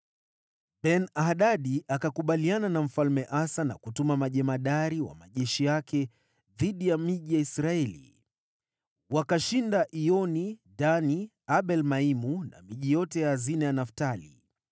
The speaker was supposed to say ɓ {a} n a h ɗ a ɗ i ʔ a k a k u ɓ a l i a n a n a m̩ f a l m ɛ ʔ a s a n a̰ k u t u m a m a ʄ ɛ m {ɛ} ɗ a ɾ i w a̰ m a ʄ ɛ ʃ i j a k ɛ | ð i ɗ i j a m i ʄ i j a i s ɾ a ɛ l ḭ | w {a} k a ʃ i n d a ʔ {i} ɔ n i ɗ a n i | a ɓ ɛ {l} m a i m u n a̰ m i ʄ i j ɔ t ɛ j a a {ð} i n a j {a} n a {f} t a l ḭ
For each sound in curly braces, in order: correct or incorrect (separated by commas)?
incorrect, incorrect, correct, correct, correct, incorrect, correct, correct